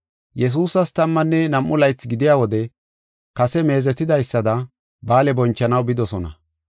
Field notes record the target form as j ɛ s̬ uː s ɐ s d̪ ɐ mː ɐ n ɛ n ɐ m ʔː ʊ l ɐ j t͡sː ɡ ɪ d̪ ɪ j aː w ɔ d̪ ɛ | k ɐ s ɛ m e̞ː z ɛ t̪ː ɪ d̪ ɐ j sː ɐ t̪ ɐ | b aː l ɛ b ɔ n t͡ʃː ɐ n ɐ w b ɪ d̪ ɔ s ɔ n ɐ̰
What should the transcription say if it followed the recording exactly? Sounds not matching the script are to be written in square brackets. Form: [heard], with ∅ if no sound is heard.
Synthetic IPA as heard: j ɛ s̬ uː s ɐ s [t̪] ɐ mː ɐ [nː] ɛ n ɐ m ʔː ʊ l ɐ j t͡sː ɡ ɪ d̪ ɪ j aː w ɔ d̪ ɛ | k ɐ s ɛ m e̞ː z ɛ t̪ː ɪ d̪ ɐ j sː ɐ [d̪] ɐ | b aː l ɛ b ɔ n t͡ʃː ɐ n ɐ w b ɪ d̪ ɔ s ɔ n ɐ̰